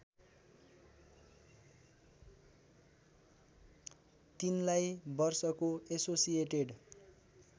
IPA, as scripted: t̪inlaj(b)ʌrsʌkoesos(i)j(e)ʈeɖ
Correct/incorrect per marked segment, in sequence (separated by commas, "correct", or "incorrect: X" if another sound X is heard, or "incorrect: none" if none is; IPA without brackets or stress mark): correct, correct, correct